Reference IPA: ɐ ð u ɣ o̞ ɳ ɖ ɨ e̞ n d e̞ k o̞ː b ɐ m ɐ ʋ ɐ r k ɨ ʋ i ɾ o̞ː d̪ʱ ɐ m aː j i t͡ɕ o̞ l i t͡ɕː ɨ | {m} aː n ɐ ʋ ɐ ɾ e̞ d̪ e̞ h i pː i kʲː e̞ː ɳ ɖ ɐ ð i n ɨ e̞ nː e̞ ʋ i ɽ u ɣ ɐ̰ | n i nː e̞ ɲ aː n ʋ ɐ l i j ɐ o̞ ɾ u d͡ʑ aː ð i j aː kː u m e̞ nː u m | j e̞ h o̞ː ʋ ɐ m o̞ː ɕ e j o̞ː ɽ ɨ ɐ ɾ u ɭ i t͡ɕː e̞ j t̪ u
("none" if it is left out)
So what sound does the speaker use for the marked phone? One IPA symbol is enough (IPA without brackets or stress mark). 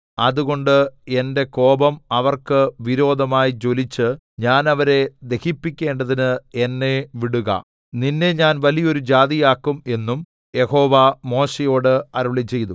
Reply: ɲ